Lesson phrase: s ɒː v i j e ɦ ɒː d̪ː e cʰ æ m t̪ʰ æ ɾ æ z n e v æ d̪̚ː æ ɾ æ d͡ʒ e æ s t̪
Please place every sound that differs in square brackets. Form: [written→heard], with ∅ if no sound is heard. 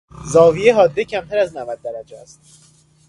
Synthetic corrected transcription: [s→z] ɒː v i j e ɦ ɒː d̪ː e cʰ æ m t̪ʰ æ ɾ æ z n [e→æ] v æ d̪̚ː æ ɾ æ d͡ʒ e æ s t̪